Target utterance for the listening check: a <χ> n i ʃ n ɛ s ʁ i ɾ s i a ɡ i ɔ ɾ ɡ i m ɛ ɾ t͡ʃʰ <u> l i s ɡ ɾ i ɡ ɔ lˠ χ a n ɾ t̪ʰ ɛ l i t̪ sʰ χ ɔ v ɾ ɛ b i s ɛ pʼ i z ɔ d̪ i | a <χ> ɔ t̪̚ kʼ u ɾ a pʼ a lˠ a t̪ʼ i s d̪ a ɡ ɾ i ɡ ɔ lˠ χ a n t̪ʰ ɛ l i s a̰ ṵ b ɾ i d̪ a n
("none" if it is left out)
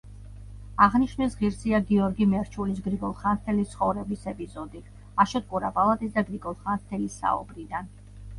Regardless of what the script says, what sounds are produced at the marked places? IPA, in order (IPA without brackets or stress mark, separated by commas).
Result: ʁ, u, ʃ